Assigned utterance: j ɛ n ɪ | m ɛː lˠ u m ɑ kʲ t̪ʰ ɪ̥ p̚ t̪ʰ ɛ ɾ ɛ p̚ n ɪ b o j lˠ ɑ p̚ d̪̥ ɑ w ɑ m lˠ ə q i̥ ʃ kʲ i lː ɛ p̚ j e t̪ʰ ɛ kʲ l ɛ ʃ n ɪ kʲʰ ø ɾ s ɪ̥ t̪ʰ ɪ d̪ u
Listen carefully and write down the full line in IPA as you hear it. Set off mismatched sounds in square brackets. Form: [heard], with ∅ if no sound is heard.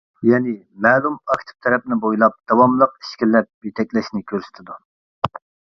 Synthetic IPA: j ɛ n ɪ | m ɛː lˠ u m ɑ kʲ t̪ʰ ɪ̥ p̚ t̪ʰ ɛ ɾ ɛ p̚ n ɪ b o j lˠ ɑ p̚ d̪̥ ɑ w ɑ m lˠ ə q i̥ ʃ kʲ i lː ɛ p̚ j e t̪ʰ ɛ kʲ l ɛ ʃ n ɪ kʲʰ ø ɾ s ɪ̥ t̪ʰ ɪ d̪ u